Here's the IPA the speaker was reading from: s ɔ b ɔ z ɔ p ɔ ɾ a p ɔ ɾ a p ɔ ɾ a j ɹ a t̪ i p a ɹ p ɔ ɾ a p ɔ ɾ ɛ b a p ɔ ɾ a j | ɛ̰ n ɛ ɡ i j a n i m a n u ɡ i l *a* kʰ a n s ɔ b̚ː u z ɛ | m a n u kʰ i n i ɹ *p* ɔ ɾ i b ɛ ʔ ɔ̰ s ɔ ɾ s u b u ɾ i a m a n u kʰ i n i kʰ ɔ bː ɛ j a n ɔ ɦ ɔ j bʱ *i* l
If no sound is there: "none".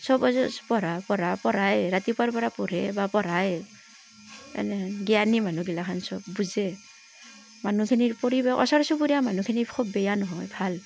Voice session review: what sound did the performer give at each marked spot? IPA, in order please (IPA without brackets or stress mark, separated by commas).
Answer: a, p, a